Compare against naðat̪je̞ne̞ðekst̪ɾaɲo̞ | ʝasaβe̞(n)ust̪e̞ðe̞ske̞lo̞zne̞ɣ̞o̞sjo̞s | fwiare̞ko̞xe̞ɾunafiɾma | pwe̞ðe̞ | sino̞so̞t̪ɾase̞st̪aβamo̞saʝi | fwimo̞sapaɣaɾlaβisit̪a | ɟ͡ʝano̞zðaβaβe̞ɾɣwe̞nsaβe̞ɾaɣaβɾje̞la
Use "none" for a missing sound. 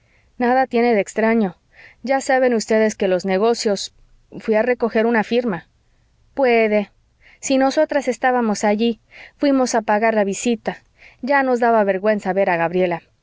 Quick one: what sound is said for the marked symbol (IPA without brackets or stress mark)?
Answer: n